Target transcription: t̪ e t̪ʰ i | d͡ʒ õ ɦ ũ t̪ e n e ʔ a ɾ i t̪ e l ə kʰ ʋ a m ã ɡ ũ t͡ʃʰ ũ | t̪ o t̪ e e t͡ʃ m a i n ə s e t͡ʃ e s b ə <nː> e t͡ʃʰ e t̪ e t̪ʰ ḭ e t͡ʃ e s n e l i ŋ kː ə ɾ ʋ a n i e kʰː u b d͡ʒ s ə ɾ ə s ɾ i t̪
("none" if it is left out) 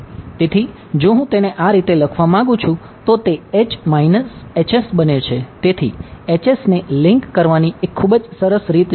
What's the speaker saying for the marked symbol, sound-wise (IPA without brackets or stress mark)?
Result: n